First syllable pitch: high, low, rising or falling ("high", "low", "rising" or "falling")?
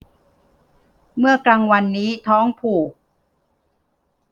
falling